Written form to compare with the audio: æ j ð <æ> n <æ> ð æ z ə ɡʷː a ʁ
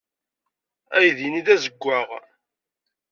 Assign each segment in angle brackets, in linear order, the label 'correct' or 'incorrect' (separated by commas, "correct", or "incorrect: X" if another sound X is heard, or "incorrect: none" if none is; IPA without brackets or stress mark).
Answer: incorrect: i, incorrect: i